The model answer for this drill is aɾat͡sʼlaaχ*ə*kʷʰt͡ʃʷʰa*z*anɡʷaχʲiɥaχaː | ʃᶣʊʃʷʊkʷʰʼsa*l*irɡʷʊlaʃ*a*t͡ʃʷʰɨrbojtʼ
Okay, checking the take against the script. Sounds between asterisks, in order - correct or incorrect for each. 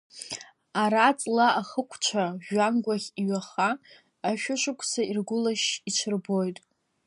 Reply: correct, incorrect: ʒ, incorrect: none, incorrect: i

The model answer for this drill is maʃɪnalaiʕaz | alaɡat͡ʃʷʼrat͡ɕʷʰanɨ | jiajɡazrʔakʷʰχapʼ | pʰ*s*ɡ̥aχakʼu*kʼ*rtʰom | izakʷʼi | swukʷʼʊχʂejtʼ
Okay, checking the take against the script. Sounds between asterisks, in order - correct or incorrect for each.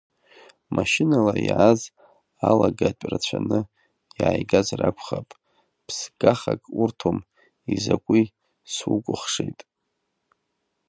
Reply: correct, incorrect: none

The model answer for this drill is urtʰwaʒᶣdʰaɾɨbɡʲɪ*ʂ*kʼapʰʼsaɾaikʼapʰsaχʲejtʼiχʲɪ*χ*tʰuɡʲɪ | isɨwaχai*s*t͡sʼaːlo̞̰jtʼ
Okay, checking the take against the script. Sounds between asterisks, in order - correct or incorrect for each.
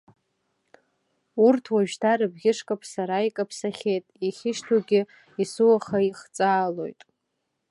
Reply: correct, incorrect: ʃ, incorrect: χ

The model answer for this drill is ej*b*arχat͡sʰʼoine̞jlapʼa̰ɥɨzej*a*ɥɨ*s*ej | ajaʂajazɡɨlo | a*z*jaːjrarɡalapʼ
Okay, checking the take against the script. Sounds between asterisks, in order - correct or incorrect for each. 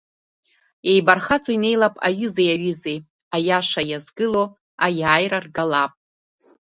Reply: correct, correct, incorrect: z, incorrect: none

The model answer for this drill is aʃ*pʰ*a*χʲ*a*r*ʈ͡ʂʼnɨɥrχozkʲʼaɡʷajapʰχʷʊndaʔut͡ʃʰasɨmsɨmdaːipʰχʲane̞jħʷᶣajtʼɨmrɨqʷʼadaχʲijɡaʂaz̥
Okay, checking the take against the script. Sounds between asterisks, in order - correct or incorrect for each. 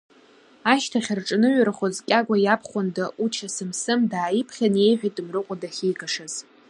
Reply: incorrect: tʰ, correct, correct

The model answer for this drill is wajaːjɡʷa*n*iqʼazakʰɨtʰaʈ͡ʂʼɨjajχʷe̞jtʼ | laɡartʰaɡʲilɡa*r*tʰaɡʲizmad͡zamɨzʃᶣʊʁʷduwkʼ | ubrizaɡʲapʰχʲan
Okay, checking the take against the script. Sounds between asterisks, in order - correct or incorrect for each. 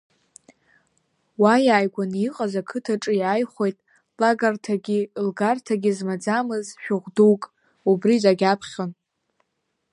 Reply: correct, correct

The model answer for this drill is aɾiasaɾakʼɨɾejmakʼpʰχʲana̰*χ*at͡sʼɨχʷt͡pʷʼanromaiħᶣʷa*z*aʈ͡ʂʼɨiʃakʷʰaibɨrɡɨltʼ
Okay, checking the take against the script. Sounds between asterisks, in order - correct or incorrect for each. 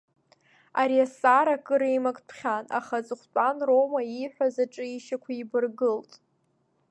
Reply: correct, correct

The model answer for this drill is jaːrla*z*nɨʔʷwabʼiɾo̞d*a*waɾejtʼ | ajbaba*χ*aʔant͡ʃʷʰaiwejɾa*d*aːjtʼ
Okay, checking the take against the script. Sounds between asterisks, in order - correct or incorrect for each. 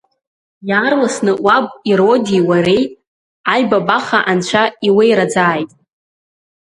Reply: incorrect: s, incorrect: i, correct, incorrect: d͡z

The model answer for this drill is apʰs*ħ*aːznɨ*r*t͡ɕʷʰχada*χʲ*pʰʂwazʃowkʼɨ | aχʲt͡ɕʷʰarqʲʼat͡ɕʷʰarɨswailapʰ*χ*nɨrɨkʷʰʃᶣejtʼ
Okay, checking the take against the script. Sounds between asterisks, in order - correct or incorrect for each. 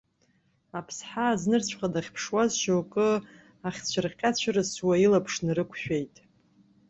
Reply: correct, correct, correct, incorrect: ʂ

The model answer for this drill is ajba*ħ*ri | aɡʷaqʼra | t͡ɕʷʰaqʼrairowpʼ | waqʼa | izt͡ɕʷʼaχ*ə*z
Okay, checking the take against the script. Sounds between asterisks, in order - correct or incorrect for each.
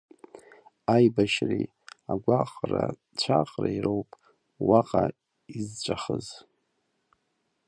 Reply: incorrect: ʃ, correct

